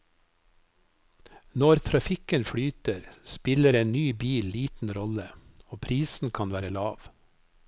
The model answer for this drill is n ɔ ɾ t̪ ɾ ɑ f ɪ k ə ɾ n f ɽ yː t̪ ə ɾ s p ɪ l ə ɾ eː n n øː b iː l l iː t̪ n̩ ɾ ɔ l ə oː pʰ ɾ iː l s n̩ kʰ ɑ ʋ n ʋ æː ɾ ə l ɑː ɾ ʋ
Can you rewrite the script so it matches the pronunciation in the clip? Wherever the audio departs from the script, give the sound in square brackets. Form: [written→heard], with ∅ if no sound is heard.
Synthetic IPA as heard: n ɔ ɾ [t̪→t̪ʰ] ɾ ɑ f ɪ k ə [ɾ→∅] n f ɽ yː t̪ ə ɾ s p ɪ l ə ɾ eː n n [øː→yː] b iː l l iː t̪ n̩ ɾ ɔ l ə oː pʰ ɾ iː [l→∅] s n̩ kʰ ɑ [ʋ→∅] n ʋ æː ɾ ə l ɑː [ɾ→∅] ʋ